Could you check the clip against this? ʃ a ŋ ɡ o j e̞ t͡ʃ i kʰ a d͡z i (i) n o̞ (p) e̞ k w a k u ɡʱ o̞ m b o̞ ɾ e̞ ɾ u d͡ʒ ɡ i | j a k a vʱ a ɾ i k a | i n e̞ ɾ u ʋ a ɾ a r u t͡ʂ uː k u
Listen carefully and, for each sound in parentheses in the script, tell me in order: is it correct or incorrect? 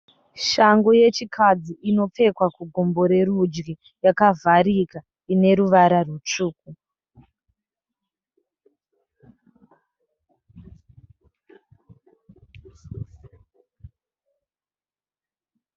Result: correct, incorrect

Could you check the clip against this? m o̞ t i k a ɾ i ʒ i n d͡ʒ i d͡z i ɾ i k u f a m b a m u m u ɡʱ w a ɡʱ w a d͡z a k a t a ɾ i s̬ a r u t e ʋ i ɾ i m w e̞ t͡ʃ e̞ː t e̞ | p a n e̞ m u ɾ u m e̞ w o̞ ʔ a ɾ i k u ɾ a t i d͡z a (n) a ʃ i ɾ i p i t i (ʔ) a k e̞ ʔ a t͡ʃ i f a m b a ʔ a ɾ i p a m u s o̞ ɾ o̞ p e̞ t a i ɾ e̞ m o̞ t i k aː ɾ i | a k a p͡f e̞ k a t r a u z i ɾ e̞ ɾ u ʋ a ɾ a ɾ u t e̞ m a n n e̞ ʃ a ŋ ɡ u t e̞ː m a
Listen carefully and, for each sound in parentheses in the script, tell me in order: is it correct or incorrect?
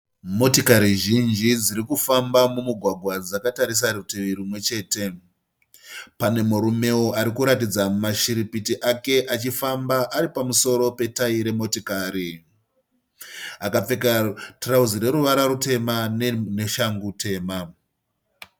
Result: incorrect, correct

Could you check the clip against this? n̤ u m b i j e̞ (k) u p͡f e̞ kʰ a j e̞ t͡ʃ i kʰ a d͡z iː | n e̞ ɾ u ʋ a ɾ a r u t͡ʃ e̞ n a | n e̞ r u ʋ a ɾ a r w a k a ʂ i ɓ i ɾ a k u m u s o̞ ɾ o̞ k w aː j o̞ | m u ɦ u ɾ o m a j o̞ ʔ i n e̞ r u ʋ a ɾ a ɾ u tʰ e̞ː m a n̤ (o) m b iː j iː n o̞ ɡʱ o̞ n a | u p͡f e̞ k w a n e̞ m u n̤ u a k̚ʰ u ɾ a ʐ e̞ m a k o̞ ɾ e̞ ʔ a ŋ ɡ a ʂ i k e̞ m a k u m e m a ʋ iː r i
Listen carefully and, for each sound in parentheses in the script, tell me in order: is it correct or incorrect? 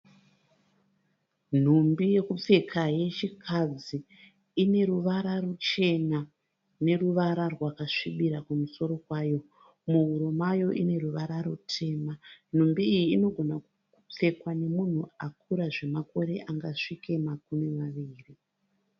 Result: correct, incorrect

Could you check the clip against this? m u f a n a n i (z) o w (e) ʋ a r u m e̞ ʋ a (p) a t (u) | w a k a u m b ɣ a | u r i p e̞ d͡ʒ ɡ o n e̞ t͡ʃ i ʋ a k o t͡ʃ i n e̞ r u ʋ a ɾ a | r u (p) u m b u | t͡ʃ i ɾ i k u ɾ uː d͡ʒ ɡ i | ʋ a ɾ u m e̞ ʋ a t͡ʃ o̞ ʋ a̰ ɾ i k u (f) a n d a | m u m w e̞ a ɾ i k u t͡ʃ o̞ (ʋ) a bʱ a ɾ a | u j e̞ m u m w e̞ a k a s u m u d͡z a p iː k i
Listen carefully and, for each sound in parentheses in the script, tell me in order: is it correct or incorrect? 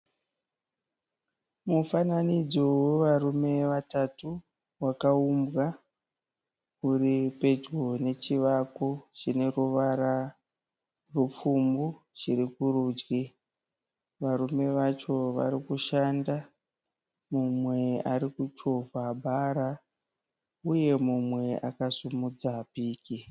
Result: incorrect, correct, incorrect, correct, incorrect, incorrect, incorrect

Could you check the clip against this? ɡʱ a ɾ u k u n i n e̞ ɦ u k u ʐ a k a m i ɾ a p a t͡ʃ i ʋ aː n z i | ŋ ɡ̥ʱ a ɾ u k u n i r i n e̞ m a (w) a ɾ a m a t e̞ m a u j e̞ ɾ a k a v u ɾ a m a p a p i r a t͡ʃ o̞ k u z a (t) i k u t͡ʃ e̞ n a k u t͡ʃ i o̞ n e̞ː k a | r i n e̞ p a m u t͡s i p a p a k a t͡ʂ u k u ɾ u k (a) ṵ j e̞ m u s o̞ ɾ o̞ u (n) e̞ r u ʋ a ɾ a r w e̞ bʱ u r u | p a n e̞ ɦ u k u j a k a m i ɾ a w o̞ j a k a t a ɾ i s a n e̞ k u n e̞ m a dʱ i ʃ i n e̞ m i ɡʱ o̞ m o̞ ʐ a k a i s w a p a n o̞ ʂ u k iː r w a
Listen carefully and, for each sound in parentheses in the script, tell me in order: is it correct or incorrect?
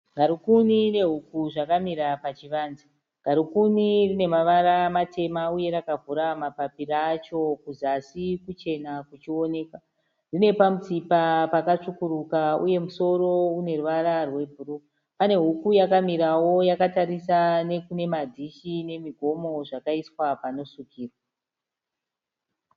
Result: incorrect, incorrect, correct, correct

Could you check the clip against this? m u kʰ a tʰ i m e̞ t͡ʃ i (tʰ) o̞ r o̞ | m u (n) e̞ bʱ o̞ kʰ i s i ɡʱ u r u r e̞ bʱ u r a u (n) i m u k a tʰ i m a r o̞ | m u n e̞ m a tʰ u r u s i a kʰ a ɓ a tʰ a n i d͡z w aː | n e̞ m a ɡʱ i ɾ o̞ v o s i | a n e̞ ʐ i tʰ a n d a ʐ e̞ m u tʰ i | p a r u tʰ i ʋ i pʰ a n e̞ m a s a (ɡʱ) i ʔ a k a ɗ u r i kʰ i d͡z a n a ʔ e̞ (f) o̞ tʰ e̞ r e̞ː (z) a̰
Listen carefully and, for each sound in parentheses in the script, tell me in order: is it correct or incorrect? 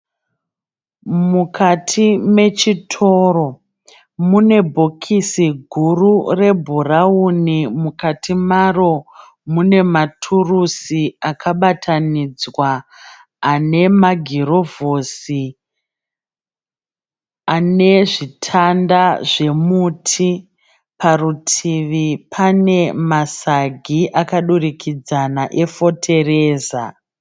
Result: correct, correct, correct, correct, correct, correct

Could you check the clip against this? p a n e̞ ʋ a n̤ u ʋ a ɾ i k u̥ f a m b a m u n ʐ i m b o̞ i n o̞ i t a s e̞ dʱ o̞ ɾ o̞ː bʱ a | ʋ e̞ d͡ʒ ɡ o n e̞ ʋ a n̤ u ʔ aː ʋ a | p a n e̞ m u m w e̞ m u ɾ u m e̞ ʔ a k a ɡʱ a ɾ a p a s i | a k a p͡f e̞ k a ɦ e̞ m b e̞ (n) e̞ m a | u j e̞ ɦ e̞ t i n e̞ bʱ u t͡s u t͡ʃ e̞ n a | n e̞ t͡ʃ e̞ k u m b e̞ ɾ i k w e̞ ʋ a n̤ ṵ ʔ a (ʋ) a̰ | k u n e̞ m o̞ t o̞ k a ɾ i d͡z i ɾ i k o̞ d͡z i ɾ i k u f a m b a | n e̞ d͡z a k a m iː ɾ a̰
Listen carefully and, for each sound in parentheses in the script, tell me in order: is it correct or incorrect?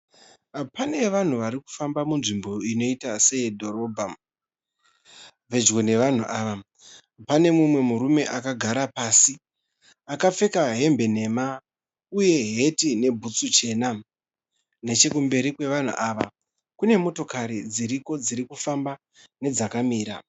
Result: correct, correct

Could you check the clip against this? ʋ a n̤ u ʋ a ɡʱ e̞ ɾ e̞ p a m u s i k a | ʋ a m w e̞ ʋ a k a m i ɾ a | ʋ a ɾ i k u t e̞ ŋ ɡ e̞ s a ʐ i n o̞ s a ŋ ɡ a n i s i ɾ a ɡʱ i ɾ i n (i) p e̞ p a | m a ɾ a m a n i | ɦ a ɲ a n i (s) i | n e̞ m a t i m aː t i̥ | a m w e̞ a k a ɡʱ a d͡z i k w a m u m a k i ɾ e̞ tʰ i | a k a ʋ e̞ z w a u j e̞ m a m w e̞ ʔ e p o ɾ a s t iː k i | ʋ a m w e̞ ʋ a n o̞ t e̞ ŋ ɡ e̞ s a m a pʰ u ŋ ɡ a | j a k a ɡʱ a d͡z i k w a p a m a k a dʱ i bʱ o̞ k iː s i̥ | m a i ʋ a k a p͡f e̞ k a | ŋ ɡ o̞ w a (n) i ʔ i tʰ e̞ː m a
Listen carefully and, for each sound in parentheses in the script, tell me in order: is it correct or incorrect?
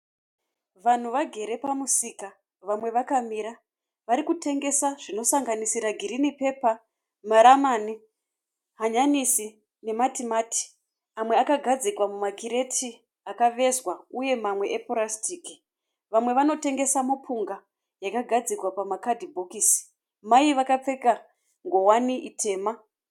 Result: correct, correct, correct

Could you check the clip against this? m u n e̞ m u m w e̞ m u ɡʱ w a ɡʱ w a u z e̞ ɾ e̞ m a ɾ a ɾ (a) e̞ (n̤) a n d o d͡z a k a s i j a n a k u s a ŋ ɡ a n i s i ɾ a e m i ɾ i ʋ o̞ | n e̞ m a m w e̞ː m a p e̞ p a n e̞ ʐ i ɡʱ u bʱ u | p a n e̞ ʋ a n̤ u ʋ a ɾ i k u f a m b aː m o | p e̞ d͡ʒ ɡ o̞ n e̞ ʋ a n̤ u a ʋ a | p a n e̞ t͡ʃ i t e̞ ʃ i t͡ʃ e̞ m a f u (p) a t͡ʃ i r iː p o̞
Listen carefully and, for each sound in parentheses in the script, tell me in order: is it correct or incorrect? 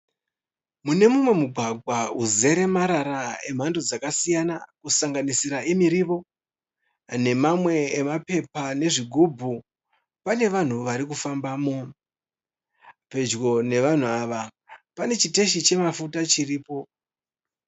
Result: correct, incorrect, incorrect

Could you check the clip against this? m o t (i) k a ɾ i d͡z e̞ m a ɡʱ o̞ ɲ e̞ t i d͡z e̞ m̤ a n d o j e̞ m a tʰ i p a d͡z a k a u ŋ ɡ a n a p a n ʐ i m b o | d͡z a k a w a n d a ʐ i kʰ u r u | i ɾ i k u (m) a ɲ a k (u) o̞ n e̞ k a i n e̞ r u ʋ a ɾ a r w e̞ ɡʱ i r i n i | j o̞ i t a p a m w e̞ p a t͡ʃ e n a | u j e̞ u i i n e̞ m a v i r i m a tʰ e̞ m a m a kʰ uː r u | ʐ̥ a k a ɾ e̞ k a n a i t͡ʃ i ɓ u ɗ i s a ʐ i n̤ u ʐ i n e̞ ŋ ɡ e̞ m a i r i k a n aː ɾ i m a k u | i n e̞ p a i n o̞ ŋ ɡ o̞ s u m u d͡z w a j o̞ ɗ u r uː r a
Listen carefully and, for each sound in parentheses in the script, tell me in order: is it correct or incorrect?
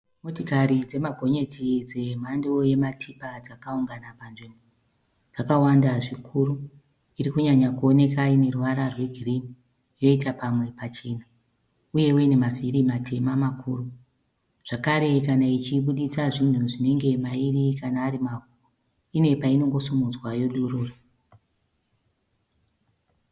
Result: correct, incorrect, correct

